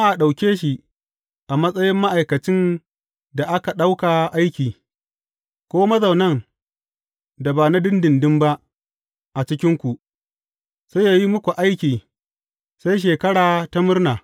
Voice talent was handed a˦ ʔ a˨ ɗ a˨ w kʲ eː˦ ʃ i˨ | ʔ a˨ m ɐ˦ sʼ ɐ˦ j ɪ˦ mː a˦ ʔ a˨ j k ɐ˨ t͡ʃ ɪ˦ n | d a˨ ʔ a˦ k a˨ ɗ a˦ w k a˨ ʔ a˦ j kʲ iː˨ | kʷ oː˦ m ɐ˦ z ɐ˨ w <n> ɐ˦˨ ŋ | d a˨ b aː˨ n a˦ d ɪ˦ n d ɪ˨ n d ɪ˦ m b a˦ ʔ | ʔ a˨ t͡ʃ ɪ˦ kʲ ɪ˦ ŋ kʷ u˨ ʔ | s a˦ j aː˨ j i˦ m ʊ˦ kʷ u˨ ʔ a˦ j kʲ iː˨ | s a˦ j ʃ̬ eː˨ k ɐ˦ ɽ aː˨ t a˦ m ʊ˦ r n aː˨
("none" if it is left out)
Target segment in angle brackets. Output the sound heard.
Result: n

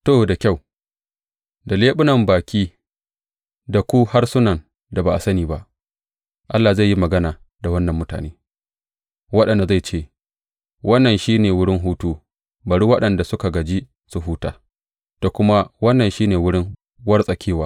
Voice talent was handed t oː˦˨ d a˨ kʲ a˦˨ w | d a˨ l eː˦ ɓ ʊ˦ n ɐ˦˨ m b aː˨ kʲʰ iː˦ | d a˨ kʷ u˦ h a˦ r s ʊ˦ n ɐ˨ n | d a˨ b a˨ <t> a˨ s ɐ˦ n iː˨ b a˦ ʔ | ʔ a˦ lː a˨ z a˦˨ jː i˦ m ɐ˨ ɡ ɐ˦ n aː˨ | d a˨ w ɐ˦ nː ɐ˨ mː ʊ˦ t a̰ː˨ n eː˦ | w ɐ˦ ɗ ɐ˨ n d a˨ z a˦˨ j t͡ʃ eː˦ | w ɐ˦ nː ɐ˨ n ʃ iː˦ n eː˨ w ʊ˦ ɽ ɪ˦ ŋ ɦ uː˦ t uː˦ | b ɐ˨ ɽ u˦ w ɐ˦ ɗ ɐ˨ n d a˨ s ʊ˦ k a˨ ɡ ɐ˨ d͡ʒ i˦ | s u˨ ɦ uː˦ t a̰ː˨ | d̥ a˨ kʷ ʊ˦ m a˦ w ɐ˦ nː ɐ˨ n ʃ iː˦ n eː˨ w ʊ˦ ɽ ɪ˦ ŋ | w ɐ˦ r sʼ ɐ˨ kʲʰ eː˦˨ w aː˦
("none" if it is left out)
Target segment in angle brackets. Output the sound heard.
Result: ʔ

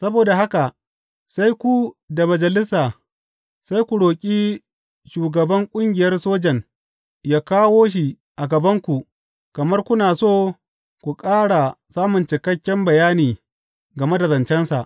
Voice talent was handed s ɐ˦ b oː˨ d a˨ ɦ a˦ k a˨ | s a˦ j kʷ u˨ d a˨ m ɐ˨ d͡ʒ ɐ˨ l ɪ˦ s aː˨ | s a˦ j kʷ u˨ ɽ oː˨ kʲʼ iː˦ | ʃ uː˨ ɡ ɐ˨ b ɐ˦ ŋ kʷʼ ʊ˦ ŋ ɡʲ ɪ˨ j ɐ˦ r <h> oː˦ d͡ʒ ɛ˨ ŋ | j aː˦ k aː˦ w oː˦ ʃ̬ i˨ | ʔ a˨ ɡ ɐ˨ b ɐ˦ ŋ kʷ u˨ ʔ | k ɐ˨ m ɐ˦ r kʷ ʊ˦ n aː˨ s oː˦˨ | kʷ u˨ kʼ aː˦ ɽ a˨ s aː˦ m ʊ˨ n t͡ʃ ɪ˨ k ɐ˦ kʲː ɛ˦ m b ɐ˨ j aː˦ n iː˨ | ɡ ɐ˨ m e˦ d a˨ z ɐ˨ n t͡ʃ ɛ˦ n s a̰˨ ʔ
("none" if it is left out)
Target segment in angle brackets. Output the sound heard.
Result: s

